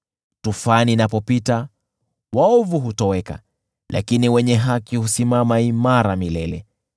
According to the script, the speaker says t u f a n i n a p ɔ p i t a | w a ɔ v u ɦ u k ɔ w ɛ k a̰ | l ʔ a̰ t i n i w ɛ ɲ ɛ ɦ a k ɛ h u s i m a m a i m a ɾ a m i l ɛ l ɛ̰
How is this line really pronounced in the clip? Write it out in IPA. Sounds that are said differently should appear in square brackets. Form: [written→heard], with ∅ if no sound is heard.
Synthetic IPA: t u f a n i n a p ɔ p i t a | w a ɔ v u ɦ u [k→t] ɔ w ɛ k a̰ | l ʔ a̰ [t→k] i n i w ɛ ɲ ɛ ɦ a k [ɛ→i] h u s i m a m a i m a ɾ a m i l ɛ l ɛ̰